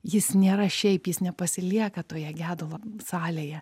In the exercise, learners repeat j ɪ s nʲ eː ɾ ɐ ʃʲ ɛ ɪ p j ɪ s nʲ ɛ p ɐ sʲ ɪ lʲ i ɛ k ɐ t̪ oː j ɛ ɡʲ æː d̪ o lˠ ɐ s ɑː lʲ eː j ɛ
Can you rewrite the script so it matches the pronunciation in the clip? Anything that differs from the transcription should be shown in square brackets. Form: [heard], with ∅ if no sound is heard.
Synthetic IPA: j ɪ s nʲ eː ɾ ɐ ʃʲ ɛ ɪ p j ɪ s nʲ ɛ p ɐ sʲ ɪ lʲ i ɛ k ɐ t̪ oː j ɛ ɡʲ æː d̪ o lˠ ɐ s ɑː lʲ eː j ɛ

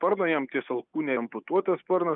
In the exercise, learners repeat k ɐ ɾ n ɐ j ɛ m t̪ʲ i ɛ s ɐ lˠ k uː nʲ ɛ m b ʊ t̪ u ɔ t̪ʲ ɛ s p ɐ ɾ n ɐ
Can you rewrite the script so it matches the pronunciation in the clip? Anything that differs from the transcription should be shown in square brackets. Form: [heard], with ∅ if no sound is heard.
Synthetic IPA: [p] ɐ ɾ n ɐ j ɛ m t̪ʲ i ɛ s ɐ lˠ k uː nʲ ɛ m [p] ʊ t̪ u ɔ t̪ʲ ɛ s p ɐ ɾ n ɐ

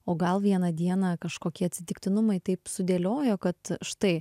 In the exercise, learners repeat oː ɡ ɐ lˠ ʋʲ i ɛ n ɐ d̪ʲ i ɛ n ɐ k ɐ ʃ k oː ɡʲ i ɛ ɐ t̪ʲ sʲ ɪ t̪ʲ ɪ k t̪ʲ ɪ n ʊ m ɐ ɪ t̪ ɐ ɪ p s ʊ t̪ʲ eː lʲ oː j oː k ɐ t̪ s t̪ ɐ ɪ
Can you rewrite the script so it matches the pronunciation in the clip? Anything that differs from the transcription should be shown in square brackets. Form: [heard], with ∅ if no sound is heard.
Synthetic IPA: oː ɡ ɐ lˠ ʋʲ i ɛ n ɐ d̪ʲ i ɛ n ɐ k ɐ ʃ k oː [kʲ] i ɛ ɐ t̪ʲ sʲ ɪ t̪ʲ ɪ k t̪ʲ ɪ n ʊ m ɐ ɪ t̪ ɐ ɪ p s ʊ [d̪ʲ] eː lʲ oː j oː k ɐ t̪ [ʃ] t̪ ɐ ɪ

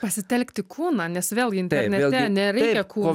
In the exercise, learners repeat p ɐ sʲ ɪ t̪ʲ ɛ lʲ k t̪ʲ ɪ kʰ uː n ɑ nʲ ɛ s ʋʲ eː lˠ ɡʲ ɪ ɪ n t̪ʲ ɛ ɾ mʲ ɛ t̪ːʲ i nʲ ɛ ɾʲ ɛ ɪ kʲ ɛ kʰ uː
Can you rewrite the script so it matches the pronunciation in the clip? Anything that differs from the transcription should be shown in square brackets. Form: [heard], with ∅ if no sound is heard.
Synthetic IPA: p ɐ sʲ ɪ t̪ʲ ɛ lʲ k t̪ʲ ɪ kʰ uː n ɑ nʲ ɛ s ʋʲ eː lˠ ɡʲ ɪ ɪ n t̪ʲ ɛ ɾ [nʲ] ɛ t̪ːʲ [ɛ] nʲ ɛ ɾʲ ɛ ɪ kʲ ɛ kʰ uː

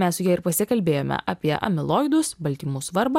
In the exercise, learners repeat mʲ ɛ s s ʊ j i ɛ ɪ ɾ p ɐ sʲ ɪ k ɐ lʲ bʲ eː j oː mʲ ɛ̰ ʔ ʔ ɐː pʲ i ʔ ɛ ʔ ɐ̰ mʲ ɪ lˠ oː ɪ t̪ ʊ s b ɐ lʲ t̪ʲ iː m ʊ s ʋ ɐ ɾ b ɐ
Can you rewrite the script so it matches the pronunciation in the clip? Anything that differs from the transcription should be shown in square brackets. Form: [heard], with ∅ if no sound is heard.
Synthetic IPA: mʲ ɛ s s ʊ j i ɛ ɪ ɾ p ɐ sʲ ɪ k ɐ lʲ bʲ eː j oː mʲ ɛ̰ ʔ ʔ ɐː pʲ i [∅] ɛ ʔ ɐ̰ mʲ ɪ lˠ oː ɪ [d̪] ʊ s b ɐ lʲ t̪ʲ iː m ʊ s ʋ ɐ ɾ b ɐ

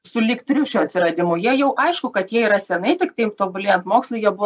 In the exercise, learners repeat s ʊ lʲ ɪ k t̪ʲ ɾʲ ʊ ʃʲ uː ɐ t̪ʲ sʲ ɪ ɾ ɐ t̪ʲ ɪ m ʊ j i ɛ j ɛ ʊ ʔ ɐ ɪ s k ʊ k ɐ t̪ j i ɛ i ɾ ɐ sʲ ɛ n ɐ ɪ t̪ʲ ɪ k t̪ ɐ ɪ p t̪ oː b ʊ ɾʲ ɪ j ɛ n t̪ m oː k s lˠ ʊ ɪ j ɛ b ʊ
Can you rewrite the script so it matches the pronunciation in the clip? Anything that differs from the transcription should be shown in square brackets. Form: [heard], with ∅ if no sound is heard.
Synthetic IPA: s ʊ lʲ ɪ k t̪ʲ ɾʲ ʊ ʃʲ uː ɐ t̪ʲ sʲ ɪ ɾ ɐ [d̪ʲ] ɪ m ʊ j i ɛ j ɛ ʊ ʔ ɐ ɪ [ʃ] k ʊ k ɐ t̪ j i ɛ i ɾ ɐ sʲ ɛ n ɐ ɪ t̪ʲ ɪ k t̪ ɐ ɪ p t̪ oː b ʊ [lʲ] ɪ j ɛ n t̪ m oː k s lˠ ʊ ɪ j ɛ b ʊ

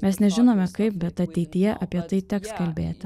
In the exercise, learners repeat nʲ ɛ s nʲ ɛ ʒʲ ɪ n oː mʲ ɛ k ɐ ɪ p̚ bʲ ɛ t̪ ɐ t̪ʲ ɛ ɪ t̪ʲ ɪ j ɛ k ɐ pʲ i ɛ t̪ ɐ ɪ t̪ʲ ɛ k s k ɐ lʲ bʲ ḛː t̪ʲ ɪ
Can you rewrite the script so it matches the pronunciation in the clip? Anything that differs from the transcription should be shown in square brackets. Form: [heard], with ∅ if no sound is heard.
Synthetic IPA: [mʲ] ɛ s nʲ ɛ ʒʲ ɪ n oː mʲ ɛ k ɐ ɪ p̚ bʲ ɛ t̪ ɐ t̪ʲ ɛ ɪ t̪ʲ ɪ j ɛ [ʔ] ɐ pʲ i ɛ t̪ ɐ ɪ t̪ʲ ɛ k s k ɐ lʲ bʲ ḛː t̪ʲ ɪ

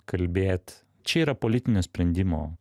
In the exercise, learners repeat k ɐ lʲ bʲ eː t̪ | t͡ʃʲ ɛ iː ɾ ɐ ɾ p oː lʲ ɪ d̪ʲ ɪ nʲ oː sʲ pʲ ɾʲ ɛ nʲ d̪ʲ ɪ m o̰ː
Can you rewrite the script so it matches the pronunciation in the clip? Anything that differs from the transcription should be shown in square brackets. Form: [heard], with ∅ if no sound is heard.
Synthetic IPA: k ɐ lʲ bʲ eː t̪ | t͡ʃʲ ɛ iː ɾ ɐ [∅] p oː lʲ ɪ [t̪ʲ] ɪ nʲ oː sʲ pʲ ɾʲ ɛ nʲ d̪ʲ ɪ m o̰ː

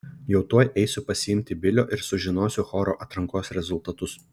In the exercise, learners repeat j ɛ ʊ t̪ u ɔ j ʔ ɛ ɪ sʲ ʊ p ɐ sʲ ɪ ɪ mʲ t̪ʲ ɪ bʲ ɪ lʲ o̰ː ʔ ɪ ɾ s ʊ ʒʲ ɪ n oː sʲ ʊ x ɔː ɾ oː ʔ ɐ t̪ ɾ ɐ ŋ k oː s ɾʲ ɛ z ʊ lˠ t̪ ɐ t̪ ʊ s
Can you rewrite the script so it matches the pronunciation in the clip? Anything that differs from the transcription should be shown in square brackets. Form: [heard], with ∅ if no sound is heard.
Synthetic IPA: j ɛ ʊ t̪ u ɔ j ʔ ɛ ɪ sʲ ʊ p ɐ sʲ ɪ ɪ mʲ t̪ʲ ɪ bʲ ɪ lʲ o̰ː ʔ ɪ ɾ s ʊ ʒʲ ɪ n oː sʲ ʊ x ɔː ɾ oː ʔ ɐ t̪ ɾ ɐ ŋ k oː s ɾʲ ɛ z ʊ lˠ t̪ ɐ t̪ ʊ s

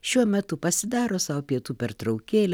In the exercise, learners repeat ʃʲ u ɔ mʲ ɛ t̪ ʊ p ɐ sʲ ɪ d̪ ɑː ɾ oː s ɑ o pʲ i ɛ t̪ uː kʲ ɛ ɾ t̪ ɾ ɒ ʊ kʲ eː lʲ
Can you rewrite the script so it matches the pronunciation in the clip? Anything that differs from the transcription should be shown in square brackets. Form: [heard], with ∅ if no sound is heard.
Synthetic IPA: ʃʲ u ɔ mʲ ɛ t̪ ʊ p ɐ sʲ ɪ d̪ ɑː ɾ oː s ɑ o pʲ i ɛ t̪ uː [pʲ] ɛ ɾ t̪ ɾ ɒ ʊ kʲ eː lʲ

